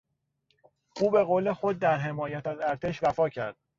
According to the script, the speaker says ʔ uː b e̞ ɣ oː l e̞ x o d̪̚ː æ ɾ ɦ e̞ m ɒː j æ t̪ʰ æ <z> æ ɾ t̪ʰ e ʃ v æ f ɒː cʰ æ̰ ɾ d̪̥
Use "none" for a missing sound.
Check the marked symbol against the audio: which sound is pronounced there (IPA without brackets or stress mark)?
z